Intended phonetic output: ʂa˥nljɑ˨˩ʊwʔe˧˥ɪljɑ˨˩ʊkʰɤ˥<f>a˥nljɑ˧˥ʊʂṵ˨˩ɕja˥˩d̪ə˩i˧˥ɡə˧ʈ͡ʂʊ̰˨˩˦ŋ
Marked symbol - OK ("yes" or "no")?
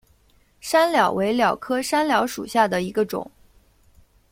no